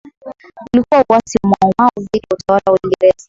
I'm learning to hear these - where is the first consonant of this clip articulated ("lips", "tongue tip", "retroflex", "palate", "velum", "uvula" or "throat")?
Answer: tongue tip